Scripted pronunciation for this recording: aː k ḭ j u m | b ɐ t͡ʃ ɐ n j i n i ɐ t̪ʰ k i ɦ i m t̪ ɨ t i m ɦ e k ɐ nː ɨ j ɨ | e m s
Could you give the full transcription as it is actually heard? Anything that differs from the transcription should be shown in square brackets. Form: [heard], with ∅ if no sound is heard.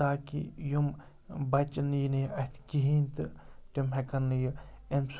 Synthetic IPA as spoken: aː k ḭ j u m | b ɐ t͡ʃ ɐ n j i n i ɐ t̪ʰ k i ɦ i [n] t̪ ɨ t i m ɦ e k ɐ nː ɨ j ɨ | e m s